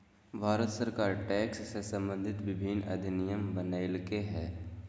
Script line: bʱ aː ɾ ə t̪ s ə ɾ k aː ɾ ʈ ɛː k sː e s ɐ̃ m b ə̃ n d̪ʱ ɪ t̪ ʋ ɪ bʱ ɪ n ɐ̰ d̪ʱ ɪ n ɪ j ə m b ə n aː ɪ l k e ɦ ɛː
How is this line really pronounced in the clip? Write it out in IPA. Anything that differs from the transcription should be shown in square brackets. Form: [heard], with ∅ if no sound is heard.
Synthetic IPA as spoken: bʱ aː ɾ ə t̪ s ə ɾ k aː ɾ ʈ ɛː k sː e s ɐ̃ m b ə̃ n d̪ʱ ɪ t̪ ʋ ɪ bʱ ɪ n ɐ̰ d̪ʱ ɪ n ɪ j ə m b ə n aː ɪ l k e ɦ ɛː